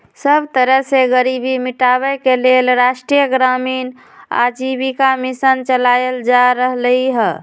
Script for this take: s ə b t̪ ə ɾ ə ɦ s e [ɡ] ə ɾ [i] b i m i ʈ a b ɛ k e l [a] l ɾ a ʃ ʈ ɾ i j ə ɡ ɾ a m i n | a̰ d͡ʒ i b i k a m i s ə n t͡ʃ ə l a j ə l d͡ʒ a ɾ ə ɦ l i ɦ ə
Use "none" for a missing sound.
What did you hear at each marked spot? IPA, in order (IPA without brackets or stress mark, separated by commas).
ɡ, i, e